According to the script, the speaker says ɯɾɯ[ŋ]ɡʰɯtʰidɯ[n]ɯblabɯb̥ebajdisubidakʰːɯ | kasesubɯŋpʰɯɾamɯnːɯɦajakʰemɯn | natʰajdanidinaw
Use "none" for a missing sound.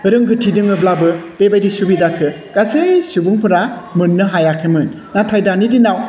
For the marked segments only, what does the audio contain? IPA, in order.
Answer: ŋ, ŋ

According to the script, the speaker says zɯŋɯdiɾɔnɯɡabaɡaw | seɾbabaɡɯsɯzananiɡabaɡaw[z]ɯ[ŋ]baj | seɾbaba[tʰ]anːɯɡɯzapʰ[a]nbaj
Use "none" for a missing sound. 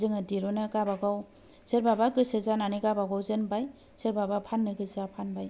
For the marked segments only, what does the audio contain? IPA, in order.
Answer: z, n, pʰ, a

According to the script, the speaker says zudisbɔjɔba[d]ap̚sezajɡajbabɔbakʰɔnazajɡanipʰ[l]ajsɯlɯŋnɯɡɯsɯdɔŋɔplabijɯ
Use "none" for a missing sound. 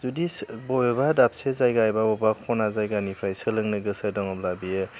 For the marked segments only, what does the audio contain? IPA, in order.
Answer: d, ɾ

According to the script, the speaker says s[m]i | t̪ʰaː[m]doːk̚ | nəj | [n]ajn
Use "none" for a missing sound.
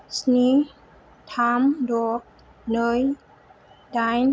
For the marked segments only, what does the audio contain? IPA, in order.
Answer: n, m, d

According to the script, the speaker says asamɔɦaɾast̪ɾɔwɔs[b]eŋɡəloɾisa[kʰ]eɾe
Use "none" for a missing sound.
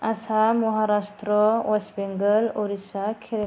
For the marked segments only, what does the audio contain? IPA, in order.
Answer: b, kʰ

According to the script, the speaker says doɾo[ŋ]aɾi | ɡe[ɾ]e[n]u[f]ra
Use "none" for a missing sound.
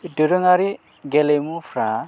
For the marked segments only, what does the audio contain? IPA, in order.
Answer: ŋ, l, m, f

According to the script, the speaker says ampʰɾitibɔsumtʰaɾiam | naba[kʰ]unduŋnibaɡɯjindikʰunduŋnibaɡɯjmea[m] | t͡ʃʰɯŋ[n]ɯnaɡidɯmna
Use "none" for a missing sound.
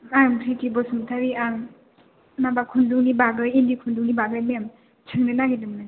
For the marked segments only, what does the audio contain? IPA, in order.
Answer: kʰ, m, n

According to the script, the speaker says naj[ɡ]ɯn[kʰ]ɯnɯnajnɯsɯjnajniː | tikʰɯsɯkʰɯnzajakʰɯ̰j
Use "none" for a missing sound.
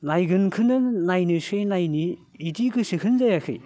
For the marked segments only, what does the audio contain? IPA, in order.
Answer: ɡ, kʰ

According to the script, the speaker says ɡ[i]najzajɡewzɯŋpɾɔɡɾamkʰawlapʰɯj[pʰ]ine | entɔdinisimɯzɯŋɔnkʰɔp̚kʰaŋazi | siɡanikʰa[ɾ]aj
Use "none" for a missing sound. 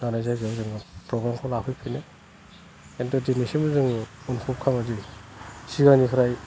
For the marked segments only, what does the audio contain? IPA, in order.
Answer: a, pʰ, ɾ

